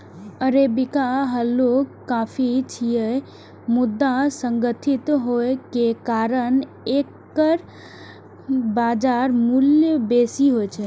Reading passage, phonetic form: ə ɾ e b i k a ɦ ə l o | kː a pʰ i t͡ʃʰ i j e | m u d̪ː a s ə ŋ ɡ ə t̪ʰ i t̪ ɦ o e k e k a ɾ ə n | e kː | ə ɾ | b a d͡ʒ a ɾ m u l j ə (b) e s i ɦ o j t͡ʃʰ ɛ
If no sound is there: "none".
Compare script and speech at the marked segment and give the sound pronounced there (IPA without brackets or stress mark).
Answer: b